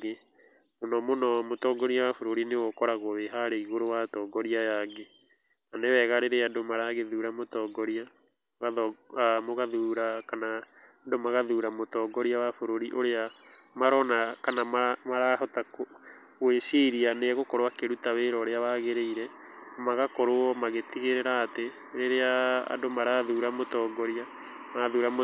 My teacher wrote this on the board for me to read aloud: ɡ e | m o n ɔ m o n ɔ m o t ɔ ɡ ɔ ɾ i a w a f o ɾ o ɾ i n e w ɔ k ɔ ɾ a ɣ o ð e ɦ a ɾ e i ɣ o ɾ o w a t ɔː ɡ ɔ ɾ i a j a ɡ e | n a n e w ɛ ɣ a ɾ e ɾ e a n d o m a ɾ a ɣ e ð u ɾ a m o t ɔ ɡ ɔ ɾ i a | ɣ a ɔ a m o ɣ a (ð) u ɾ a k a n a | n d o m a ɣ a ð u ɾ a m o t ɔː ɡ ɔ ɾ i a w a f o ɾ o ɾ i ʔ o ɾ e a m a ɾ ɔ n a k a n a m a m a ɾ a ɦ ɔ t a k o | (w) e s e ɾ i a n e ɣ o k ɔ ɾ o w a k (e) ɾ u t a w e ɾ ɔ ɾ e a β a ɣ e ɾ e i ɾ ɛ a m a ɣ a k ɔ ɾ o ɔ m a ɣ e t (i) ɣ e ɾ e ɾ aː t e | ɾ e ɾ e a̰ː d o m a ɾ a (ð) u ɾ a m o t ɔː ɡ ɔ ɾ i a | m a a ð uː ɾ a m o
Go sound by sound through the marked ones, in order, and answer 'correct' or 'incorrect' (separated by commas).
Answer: correct, correct, correct, correct, correct